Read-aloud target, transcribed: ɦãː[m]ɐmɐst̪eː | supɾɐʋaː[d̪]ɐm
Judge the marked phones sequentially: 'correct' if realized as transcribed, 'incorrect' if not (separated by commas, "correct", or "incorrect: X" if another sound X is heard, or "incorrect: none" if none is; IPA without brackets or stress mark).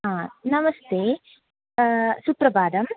incorrect: n, correct